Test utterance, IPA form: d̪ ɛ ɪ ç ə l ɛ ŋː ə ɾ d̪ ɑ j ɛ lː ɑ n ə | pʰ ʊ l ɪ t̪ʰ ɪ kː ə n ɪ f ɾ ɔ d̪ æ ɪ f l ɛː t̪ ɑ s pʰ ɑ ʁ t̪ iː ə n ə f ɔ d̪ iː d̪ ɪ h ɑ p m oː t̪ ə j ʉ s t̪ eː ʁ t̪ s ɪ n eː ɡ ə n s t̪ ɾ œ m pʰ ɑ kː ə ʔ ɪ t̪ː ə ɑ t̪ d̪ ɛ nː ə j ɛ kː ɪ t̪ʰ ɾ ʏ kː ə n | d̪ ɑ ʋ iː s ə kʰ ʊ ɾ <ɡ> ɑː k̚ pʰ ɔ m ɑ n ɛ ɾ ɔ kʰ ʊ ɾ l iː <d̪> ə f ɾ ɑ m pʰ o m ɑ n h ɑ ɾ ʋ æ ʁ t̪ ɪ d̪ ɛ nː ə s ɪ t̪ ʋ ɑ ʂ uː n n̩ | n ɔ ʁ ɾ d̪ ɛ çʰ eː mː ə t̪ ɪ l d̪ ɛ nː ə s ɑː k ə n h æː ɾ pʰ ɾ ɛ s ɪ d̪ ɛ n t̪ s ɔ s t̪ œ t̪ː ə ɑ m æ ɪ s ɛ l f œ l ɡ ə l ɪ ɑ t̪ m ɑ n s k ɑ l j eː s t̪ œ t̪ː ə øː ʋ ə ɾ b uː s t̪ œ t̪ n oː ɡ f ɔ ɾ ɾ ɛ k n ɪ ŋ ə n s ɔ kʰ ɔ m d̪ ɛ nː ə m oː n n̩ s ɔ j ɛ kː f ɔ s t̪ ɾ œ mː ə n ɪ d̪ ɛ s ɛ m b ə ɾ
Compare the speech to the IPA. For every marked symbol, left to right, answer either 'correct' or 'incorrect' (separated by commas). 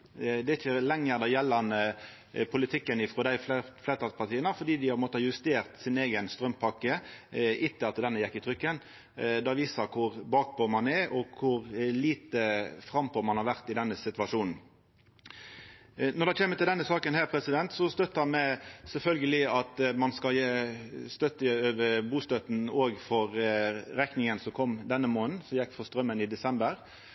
incorrect, incorrect